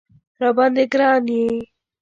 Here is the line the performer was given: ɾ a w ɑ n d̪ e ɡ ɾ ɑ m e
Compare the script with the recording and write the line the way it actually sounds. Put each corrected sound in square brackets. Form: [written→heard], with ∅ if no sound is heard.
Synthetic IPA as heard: ɾ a [w→b] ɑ n d̪ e ɡ ɾ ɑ [m→n] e